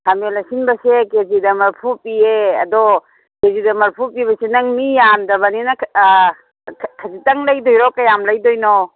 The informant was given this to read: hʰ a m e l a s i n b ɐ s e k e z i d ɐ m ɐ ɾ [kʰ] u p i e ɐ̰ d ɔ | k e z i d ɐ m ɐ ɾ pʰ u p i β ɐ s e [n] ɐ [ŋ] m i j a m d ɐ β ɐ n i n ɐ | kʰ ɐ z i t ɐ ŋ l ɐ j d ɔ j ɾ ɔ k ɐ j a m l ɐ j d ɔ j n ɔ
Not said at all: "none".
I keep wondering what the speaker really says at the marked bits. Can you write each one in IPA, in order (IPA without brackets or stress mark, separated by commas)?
pʰ, n, ŋ